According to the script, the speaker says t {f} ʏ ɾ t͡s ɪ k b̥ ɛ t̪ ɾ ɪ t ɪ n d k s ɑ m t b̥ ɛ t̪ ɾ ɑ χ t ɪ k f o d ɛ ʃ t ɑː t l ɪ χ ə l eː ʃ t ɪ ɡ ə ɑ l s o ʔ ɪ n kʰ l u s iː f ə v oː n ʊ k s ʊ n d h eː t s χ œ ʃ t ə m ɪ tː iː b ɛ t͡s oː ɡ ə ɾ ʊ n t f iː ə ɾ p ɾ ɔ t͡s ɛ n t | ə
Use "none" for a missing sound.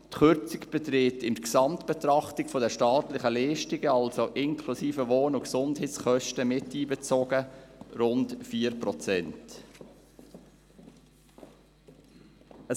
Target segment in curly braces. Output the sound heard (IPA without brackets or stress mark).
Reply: χ